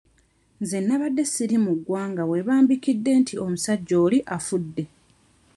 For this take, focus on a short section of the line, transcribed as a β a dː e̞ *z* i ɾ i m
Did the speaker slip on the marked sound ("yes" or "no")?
yes